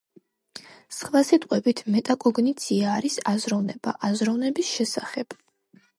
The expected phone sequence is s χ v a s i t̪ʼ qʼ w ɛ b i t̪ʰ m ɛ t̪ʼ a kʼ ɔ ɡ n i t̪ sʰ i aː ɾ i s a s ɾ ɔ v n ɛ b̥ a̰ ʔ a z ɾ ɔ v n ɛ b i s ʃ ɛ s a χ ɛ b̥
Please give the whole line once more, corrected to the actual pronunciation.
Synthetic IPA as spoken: s χ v a s i t̪ʼ qʼ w ɛ b i t̪ʰ m ɛ t̪ʼ a kʼ ɔ ɡ n i t̪ sʰ i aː ɾ i s a z ɾ ɔ v n ɛ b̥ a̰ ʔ a z ɾ ɔ v n ɛ b i s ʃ ɛ s a χ ɛ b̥